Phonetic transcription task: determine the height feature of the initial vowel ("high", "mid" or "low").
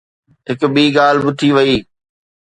high